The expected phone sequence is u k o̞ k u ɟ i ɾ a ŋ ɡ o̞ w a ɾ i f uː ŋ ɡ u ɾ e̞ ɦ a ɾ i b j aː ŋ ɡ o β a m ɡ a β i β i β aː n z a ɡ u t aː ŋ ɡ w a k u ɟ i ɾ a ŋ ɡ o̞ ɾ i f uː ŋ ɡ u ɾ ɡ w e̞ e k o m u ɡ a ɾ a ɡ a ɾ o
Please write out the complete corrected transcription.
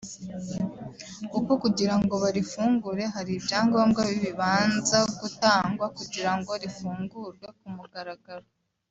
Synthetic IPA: u k o̞ k u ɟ i ɾ a ŋ ɡ o̞ β a ɾ i f uː ŋ ɡ u ɾ e̞ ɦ a ɾ i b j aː ŋ ɡ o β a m ɡ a β i β i β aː n z a ɡ u t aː ŋ ɡ w a k u ɟ i ɾ a ŋ ɡ o̞ ɾ i f uː ŋ ɡ u ɾ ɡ w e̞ e k u m u ɡ a ɾ a ɡ a ɾ o